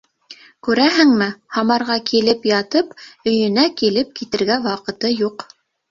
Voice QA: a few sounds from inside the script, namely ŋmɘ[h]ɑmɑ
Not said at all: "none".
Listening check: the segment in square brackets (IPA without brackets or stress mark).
h